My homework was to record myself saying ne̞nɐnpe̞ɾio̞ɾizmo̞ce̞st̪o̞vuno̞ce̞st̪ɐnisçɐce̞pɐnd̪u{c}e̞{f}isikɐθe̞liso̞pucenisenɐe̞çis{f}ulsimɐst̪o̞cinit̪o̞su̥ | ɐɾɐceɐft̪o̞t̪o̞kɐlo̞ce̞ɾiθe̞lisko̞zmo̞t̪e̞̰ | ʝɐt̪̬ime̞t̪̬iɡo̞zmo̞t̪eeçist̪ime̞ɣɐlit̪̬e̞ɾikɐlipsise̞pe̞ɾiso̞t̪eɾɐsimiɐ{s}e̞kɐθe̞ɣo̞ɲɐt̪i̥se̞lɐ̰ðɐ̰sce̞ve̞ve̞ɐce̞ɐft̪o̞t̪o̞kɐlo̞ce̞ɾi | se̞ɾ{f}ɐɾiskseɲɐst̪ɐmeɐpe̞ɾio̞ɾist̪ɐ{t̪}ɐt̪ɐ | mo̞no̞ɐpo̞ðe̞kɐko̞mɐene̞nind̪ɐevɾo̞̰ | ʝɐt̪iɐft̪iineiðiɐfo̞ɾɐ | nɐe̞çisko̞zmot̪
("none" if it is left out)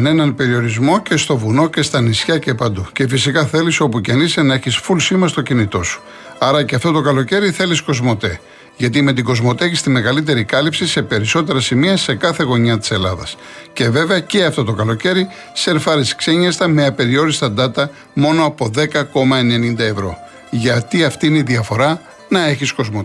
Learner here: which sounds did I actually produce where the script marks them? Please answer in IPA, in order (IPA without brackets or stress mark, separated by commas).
c, f, f, s, f, d̪